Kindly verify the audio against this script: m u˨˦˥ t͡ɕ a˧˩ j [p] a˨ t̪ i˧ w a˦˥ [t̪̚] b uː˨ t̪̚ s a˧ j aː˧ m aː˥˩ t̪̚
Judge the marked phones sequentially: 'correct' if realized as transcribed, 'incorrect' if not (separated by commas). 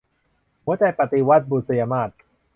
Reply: correct, correct